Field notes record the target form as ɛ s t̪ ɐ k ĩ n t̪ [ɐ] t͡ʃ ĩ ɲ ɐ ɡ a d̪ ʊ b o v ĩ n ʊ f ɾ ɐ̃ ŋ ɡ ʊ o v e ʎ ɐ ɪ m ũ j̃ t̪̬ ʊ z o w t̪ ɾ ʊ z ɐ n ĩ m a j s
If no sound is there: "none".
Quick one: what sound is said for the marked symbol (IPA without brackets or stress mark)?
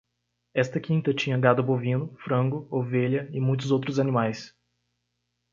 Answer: ɐ